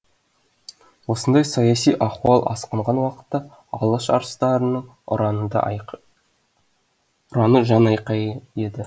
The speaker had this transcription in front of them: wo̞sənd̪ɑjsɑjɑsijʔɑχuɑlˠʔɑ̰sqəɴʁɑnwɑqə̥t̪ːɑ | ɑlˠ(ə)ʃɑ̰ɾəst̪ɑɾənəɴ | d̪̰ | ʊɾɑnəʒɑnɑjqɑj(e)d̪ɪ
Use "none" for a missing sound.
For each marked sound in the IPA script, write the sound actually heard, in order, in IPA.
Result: ə, e

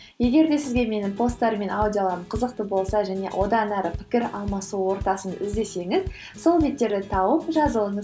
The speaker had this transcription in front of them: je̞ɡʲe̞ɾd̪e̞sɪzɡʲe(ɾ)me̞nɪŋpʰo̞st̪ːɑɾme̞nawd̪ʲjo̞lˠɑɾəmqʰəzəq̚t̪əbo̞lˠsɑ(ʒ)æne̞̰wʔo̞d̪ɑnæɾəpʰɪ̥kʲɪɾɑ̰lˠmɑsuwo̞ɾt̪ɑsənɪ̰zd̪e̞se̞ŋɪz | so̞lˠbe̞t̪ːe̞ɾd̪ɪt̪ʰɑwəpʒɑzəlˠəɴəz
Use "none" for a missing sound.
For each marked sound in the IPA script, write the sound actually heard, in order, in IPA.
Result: none, ʒ

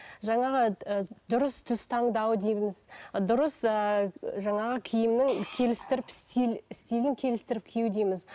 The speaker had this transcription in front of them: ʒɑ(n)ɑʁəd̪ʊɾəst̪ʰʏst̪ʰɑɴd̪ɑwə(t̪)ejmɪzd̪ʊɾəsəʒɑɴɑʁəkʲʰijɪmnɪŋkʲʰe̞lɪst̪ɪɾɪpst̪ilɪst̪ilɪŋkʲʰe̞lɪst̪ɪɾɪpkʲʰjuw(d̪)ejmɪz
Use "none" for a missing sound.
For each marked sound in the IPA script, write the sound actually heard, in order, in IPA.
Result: ɴ, d̪, d̪

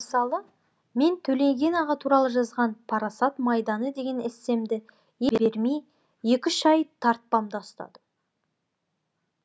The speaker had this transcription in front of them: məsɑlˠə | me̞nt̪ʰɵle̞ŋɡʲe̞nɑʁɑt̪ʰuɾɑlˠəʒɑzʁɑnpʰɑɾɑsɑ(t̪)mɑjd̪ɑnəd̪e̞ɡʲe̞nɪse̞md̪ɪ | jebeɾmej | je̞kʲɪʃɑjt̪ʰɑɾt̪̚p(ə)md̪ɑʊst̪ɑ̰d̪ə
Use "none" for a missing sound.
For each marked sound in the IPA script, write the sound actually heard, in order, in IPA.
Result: t̪, ɑ

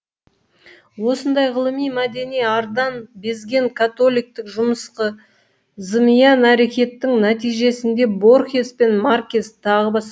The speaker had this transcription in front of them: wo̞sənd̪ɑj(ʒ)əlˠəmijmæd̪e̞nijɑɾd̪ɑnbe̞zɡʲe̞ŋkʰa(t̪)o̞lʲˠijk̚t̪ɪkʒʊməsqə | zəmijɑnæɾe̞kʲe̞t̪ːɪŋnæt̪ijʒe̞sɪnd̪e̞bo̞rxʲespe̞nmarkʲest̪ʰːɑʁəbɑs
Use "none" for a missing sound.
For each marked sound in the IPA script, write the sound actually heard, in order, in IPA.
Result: ʁ, t̪

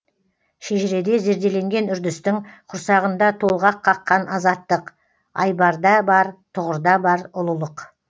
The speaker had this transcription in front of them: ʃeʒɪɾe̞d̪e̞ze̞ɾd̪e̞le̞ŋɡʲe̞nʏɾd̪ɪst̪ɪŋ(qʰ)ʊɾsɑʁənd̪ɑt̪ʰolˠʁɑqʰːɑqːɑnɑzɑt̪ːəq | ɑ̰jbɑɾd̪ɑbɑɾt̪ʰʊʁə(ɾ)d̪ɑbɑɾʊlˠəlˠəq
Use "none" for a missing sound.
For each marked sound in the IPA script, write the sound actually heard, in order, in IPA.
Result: qʰ, ɾ

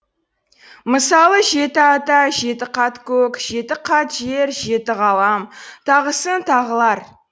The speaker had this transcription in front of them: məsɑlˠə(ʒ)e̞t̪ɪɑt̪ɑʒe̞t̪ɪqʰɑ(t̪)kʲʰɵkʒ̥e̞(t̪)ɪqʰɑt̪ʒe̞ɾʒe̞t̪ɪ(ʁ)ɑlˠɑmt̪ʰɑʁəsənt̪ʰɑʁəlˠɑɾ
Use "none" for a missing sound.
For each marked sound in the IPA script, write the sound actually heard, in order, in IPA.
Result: ʒ, t̪, t̪, ʁ

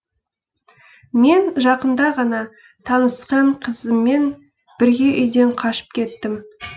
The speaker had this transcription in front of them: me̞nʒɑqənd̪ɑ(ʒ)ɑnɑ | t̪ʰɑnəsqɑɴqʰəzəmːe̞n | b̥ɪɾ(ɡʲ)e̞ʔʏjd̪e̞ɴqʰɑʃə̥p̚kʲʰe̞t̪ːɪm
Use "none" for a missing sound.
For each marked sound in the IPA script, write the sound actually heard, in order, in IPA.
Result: ʁ, ɡʲ

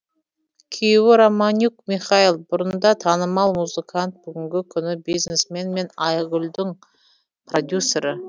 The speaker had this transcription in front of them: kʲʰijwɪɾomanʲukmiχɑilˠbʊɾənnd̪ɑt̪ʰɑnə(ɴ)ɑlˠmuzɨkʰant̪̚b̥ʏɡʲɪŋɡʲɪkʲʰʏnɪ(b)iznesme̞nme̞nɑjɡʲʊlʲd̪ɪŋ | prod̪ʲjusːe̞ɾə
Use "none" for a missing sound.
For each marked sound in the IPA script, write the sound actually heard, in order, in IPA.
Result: m, b

